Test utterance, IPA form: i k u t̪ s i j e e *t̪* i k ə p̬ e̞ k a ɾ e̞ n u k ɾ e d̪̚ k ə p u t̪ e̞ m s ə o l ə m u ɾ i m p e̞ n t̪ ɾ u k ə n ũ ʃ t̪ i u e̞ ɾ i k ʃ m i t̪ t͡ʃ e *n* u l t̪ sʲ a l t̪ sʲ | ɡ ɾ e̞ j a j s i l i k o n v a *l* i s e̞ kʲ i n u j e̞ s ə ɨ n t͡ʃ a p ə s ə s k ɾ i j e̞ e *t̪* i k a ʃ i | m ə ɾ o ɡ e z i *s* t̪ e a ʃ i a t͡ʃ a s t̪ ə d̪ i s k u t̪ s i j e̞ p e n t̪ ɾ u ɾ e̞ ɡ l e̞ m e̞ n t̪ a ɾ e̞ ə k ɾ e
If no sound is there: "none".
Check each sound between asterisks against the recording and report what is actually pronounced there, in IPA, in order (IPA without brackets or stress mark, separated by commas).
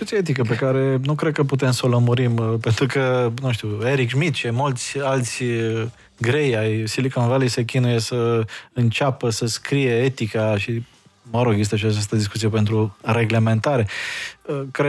t̪, m, l, t̪, s